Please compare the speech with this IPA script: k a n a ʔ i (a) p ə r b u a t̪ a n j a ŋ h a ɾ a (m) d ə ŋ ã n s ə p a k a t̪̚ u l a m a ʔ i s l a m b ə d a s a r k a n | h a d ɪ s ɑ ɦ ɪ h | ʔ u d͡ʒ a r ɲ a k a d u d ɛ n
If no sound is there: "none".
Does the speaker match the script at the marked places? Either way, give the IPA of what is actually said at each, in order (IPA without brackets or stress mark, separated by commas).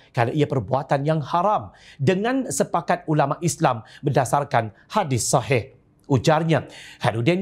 a, m